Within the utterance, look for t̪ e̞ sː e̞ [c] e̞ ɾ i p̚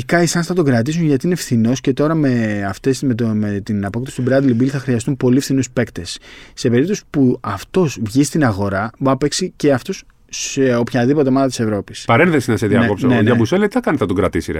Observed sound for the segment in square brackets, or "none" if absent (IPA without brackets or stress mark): p